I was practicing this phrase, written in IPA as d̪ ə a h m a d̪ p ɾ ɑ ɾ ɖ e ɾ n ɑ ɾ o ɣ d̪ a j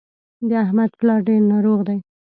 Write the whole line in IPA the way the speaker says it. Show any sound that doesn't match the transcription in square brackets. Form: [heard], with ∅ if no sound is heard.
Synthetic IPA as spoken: d̪ ə a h m a d̪ p [l] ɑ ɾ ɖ e ɾ n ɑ ɾ o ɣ d̪ a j